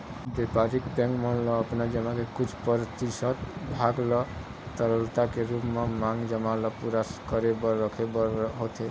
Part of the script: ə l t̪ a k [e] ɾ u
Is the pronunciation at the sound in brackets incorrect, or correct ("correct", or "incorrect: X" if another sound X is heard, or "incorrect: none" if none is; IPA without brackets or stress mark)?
correct